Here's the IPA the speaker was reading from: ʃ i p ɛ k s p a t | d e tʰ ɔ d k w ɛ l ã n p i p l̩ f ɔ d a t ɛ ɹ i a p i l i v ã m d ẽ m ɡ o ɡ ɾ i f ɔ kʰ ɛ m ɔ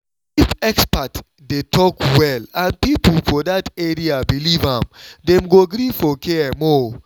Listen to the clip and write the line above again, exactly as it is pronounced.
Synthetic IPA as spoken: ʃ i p ɛ k s p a t | d e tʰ ɔ k w ɛ l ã n p i p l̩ f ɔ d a t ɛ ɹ i a b i l i v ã m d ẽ m ɡ o ɡ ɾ i f ɔ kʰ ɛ m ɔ